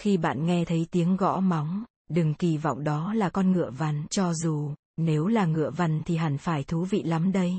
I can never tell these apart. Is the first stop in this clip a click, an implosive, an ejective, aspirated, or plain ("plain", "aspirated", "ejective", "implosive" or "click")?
implosive